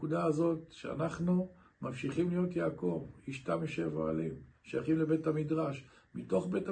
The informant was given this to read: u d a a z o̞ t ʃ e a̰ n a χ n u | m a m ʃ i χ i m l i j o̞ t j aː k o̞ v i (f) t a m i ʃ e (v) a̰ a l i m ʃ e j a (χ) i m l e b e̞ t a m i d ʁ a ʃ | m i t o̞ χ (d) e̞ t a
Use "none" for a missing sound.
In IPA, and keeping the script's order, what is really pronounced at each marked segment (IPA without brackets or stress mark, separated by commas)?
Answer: ʃ, v, χ, b